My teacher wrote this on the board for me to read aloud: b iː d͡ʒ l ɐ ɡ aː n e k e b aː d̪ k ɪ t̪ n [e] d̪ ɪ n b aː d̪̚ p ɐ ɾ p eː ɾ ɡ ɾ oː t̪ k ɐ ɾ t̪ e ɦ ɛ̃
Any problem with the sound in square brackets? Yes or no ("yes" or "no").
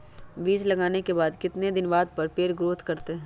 no